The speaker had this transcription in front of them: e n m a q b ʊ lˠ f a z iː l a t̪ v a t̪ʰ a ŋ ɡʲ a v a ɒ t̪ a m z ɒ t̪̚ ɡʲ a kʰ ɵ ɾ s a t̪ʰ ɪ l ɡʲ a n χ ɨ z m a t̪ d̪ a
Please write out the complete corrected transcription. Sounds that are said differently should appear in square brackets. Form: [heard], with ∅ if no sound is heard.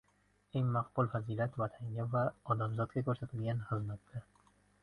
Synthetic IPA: e [ŋ] m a q b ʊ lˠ f a z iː l a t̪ v a t̪ʰ a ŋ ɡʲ a v a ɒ [d̪] a m z ɒ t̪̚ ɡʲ a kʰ ɵ ɾ s a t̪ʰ ɪ l ɡʲ a n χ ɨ z m a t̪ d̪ a